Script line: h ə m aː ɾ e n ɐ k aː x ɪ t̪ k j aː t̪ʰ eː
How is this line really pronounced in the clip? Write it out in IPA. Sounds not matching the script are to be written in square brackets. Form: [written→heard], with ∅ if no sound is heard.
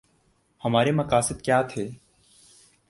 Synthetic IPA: h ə m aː ɾ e [n→m] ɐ k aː [x→s] ɪ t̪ k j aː t̪ʰ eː